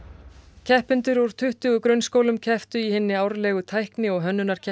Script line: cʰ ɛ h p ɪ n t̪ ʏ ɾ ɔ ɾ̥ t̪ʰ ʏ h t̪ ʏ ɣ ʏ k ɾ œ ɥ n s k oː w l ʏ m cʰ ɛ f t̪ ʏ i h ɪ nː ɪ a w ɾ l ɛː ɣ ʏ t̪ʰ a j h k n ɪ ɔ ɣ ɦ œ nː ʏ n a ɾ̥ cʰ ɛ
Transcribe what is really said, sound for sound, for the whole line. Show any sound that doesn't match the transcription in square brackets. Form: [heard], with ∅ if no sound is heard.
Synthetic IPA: cʰ ɛ h p ɪ n t̪ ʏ ɾ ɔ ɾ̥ t̪ʰ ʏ h t̪ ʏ ɣ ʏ k ɾ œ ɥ n s k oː w l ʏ m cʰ ɛ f t̪ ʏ i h ɪ nː ɪ a w ɾ l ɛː ɣ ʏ t̪ʰ a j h k n ɪ ɔ ɣ ɦ œ nː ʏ n a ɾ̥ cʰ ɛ

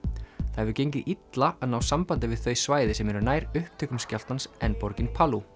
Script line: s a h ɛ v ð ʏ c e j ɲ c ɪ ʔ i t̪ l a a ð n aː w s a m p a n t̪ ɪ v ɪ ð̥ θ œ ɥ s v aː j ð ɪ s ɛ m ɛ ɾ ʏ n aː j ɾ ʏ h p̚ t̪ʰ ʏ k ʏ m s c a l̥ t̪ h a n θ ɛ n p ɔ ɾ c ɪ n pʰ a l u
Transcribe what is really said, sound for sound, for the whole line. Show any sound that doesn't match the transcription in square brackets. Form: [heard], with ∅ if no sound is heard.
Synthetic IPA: [θ] a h ɛ v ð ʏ c e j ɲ c ɪ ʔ i t̪ l a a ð n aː w s a m p a n t̪ ɪ v ɪ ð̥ θ œ ɥ s v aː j ð ɪ s ɛ m ɛ ɾ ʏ n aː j ɾ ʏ h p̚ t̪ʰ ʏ k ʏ m s c a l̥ t̪ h a n [s] ɛ n p ɔ ɾ c ɪ n pʰ a l u

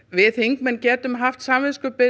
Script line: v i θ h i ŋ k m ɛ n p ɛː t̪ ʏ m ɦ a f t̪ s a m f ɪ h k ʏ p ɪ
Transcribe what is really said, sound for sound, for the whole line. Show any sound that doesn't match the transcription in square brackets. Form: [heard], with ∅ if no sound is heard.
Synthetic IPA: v [ɪ] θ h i ŋ k m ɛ n [c] ɛː t̪ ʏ m ɦ a f t̪ s a m [v] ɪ [s] k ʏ p ɪ

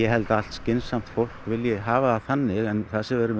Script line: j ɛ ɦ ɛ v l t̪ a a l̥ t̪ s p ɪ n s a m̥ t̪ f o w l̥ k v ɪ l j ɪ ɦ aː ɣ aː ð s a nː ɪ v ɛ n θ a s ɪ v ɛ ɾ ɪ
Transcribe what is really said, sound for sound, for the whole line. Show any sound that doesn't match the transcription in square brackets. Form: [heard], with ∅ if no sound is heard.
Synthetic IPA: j ɛ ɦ ɛ [∅] l t̪ a a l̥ t̪ s [c] ɪ n s a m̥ t̪ f o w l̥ k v ɪ l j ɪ ɦ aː [v] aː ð [θ] a nː ɪ [ɣ] ɛ n θ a s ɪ v ɛ ɾ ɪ

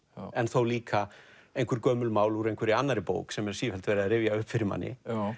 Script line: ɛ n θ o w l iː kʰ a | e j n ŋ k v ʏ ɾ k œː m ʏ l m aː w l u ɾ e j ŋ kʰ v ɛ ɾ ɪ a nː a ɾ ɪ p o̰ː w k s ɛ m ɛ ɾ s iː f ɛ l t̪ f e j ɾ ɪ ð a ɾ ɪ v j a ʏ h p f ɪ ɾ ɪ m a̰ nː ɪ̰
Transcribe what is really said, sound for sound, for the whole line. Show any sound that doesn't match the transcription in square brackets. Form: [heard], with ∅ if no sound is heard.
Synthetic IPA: ɛ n θ o w l iː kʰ a | e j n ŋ k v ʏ ɾ k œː m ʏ l m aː w l u ɾ e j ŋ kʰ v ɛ ɾ ɪ a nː a ɾ ɪ p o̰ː w k s ɛ m ɛ ɾ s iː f ɛ l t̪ [v] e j ɾ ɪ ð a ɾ ɪ v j a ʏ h p f ɪ ɾ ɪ m a̰ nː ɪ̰

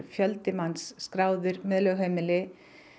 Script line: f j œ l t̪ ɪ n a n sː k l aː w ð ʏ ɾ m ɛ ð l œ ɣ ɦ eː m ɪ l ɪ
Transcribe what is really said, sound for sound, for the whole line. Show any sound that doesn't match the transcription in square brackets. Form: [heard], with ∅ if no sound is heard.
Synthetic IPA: f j œ l t̪ ɪ [m] a n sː k [ɾ] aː w ð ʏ ɾ m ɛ ð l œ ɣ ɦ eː m ɪ l ɪ

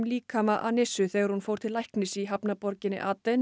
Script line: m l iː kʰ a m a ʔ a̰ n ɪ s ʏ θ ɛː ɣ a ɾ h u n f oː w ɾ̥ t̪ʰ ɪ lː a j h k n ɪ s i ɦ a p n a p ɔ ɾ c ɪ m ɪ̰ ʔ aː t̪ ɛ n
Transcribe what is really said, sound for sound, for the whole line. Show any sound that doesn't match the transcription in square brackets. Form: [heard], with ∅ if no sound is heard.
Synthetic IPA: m l iː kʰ a m a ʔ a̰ n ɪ s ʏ θ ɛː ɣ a ɾ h u n f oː w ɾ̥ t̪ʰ ɪ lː a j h k n ɪ s i ɦ a p n a p ɔ ɾ c ɪ [n] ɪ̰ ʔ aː t̪ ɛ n

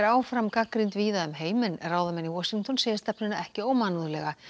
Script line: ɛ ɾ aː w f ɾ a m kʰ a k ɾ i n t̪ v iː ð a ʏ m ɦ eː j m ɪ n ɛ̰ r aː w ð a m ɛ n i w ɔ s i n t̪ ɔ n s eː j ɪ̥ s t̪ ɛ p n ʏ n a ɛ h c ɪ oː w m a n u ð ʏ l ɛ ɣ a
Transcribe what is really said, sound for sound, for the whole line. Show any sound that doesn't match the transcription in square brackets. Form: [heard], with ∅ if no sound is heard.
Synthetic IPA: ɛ ɾ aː w f ɾ a m [k] a k ɾ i n t̪ v iː ð a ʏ m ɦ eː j m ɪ n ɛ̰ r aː w ð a m ɛ n i w ɔ s i [ŋ] t̪ ɔ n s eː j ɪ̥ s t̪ ɛ p n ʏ n a ɛ h c ɪ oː w m a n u ð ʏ l ɛ ɣ a

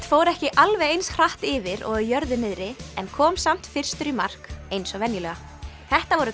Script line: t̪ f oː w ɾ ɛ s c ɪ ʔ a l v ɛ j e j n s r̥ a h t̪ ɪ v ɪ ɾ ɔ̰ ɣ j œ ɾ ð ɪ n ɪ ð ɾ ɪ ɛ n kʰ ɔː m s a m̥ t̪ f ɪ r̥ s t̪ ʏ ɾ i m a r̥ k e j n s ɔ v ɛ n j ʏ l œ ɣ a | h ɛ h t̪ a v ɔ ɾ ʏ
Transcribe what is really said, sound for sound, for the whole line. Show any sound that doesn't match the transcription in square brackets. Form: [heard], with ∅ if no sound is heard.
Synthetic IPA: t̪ f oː w ɾ ɛ [h] c ɪ ʔ a l v ɛ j e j n s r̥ a h t̪ ɪ v ɪ ɾ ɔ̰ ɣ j œ ɾ ð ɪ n ɪ ð ɾ ɪ ɛ n kʰ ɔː m s a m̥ t̪ f ɪ r̥ s t̪ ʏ ɾ i m a r̥ k e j n s ɔ v ɛ n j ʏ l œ ɣ a | [θ] ɛ h t̪ a v ɔ ɾ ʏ

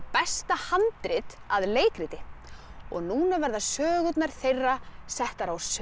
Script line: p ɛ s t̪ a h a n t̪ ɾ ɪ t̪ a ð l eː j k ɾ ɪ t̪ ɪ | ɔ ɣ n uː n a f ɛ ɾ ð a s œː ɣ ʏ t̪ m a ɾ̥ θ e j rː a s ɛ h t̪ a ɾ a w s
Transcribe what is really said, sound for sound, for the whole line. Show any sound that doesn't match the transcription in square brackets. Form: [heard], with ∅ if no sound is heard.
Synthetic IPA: p ɛ s t̪ a h a n t̪ ɾ ɪ t̪ a ð l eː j k ɾ ɪ t̪ ɪ | ɔ ɣ n uː n a [v] ɛ ɾ ð a s œː ɣ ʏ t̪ [n] a ɾ̥ θ e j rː a s ɛ h t̪ a ɾ a w s

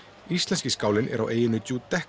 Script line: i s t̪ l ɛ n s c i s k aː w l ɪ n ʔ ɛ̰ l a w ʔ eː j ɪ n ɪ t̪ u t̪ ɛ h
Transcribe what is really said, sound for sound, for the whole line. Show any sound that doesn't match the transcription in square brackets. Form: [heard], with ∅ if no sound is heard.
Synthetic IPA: i s t̪ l ɛ n s c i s k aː w l ɪ n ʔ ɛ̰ [ɾ] a w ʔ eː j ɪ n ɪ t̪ u t̪ ɛ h

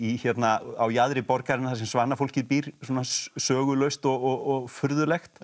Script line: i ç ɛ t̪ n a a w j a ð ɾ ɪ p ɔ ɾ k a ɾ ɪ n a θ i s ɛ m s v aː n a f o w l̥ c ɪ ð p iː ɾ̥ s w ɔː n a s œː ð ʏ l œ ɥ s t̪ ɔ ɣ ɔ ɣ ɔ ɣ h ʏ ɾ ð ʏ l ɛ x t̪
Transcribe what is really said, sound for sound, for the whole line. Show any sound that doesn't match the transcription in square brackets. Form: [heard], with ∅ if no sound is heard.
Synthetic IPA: i ç ɛ t̪ n a a w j a ð ɾ ɪ p ɔ ɾ k a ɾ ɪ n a θ [a] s ɛ m s v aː n a f o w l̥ c ɪ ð p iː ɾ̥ s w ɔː n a s œː [ɣ] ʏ l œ ɥ s t̪ ɔ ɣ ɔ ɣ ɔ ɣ [f] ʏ ɾ ð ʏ l ɛ x t̪

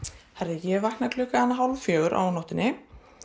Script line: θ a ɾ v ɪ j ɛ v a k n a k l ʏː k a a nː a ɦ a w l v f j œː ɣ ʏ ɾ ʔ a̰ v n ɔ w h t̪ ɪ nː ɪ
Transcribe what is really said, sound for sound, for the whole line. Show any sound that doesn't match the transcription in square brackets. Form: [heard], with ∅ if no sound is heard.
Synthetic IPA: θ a ɾ [ð] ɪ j ɛ v a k n a k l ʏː k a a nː a ɦ a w l v f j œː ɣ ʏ ɾ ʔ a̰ [w] n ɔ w h t̪ ɪ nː ɪ

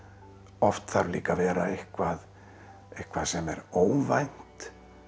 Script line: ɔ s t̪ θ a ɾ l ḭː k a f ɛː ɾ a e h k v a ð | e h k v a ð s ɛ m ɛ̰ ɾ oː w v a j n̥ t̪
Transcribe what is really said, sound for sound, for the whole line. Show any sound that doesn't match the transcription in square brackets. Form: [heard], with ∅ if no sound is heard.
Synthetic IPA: ɔ [f] t̪ θ a ɾ l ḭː k a [v] ɛː ɾ a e h k v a ð | e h k v a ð s ɛ m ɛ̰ ɾ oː w v a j n̥ t̪

